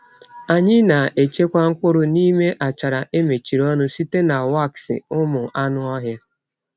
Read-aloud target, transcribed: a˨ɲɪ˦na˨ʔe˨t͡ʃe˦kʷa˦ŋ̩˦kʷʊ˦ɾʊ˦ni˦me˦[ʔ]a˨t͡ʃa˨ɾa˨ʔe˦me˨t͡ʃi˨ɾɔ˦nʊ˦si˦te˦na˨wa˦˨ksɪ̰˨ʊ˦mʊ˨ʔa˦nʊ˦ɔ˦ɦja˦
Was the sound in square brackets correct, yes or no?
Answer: yes